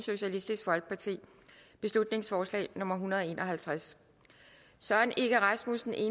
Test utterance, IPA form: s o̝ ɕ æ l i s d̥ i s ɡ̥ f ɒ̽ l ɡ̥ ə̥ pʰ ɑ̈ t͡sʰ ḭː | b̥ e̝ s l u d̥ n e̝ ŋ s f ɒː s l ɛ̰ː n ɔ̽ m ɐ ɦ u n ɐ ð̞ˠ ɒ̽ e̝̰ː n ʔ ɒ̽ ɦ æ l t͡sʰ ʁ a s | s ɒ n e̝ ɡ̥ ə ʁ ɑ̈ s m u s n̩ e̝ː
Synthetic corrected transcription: s o̝ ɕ æ l i s d̥ i s ɡ̥ f ɒ̽ l ɡ̥ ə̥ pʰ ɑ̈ t͡sʰ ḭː | b̥ e̝ s l u d̥ n e̝ ŋ s f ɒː s l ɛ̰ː n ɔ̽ m ɐ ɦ u n ɐ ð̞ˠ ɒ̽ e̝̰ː n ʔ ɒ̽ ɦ æ l t͡sʰ ʁ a s | s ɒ n e̝ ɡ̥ ə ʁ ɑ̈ s m u s n̩ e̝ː

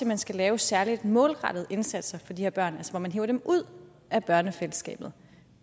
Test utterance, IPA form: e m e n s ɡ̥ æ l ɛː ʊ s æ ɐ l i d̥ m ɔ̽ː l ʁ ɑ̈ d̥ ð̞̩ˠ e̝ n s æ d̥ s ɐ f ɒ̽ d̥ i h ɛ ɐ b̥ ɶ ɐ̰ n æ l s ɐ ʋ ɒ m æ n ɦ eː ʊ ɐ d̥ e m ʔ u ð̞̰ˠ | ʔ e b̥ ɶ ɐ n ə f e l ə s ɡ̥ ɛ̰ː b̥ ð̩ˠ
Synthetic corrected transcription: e m æ n s ɡ̥ æ l ɛː ʊ s æ ɐ l i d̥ m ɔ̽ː l ʁ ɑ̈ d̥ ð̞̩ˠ e̝ n s æ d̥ s ɐ f ɒ̽ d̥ i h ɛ ɐ b̥ ɶ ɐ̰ n æ l s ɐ ʋ ɒ m æ n ɦ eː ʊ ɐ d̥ e m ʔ u ð̞̰ˠ | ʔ æ b̥ ɶ ɐ n ə f e l ə s ɡ̥ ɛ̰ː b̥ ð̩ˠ

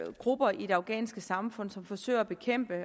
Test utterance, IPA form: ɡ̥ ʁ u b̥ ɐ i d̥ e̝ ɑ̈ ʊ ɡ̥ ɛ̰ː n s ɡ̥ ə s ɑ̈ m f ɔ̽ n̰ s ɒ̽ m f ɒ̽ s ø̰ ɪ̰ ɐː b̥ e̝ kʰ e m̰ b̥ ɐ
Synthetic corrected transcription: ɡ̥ ʁ u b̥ ɐ i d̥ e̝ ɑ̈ ʊ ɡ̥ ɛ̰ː n s ɡ̥ ə s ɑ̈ m f ɔ̽ n̰ s ɒ̽ m f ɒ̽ s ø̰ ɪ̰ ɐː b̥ e̝ kʰ e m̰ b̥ ə

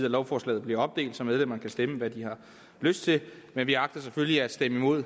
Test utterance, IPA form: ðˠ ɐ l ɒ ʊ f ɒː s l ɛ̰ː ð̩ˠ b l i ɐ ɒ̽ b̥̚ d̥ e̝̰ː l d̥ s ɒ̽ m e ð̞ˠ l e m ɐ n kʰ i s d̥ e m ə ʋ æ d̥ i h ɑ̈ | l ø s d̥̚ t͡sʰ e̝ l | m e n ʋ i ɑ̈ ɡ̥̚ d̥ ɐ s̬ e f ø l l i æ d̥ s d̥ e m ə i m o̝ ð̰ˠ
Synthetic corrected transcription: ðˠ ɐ l ɒ ʊ f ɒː s l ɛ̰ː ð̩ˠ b l i ɐ ɒ̽ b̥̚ d̥ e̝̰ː l d̥ s ɒ̽ m e ð̞ˠ l e m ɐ n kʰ æ s d̥ e m ə ʋ æ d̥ i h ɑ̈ | l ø s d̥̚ t͡sʰ e̝ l | m e n ʋ i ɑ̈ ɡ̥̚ d̥ ɐ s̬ e f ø l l i æ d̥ s d̥ e m ə i m o̝ ð̰ˠ

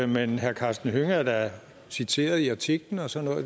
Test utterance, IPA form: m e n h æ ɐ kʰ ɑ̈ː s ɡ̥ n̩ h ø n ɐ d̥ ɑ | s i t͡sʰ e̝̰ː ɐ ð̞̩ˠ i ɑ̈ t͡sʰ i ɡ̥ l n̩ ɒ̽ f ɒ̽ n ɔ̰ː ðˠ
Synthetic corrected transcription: m e n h æ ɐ kʰ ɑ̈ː s d̥ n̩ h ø ŋ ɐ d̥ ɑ | s i t͡sʰ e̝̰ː ɐ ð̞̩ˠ i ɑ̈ t͡sʰ i ɡ̥ l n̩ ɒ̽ s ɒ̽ n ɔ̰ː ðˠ

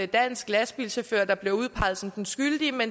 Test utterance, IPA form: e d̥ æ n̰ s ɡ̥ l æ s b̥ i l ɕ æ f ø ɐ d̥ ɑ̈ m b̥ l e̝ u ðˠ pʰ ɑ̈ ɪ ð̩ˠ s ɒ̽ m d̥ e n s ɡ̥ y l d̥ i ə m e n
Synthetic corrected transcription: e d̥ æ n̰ s ɡ̥ l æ s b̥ i l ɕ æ f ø ɐ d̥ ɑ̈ b̥ l e̝ u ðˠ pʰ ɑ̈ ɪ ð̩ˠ s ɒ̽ m d̥ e n s ɡ̥ y l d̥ i ə m e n

